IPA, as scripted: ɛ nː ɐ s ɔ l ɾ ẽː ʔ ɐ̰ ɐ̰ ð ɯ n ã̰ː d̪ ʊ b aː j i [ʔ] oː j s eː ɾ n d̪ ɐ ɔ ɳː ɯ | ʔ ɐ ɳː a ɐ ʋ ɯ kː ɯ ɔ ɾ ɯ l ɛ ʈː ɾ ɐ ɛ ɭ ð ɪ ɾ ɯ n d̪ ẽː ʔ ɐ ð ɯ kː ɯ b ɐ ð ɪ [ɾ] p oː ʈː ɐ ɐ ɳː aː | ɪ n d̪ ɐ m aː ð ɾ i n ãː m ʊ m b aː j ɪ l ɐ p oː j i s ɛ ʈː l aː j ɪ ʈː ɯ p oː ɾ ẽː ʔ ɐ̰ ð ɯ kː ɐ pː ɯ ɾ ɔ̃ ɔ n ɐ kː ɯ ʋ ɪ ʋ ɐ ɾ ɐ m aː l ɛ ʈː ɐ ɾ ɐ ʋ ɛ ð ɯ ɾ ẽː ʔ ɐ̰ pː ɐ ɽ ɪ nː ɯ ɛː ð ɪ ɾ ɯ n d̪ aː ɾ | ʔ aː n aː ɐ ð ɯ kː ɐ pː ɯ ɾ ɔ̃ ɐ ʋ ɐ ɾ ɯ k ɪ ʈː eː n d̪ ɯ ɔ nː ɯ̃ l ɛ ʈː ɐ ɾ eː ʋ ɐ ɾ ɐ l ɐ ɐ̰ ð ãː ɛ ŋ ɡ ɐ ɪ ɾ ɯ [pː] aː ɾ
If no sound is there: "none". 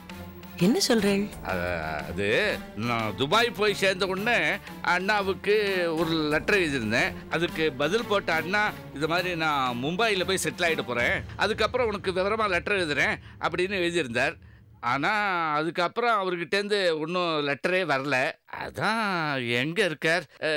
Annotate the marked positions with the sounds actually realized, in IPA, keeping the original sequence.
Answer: p, l, kː

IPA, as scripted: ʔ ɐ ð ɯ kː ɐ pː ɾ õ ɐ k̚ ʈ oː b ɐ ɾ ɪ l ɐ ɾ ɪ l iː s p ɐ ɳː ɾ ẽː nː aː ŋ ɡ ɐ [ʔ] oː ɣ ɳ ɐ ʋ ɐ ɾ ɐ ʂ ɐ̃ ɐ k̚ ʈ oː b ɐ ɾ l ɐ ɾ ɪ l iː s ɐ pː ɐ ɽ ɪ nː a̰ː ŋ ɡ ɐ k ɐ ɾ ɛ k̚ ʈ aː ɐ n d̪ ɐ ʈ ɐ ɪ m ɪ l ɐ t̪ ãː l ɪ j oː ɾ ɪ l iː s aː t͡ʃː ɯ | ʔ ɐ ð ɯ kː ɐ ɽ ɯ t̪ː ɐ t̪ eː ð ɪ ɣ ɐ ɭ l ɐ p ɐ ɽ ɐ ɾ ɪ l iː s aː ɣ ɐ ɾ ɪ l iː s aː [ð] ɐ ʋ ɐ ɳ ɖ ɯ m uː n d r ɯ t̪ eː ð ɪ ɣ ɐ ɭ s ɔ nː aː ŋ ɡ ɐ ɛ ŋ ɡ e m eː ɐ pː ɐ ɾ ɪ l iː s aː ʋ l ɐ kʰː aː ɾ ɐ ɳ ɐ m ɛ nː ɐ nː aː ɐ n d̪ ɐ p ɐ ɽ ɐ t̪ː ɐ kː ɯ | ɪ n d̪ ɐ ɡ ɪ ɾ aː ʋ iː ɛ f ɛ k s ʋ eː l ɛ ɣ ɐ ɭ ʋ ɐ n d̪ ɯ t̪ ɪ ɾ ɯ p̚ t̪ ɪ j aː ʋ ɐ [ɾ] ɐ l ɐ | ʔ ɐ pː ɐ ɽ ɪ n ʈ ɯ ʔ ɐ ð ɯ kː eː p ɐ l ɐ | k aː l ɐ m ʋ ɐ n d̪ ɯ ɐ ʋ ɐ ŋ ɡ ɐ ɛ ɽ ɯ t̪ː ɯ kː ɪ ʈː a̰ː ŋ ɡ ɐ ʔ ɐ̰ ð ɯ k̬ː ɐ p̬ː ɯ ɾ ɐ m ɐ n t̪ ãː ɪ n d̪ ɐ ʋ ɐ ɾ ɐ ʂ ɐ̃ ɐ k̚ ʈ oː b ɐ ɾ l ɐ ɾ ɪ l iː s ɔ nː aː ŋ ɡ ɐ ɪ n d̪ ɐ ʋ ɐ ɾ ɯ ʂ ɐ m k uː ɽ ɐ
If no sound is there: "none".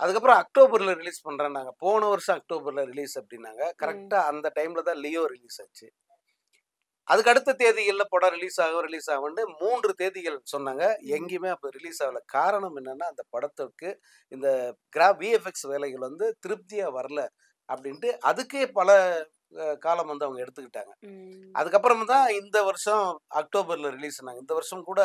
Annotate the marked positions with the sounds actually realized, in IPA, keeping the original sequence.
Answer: p, ɣ, ɾ

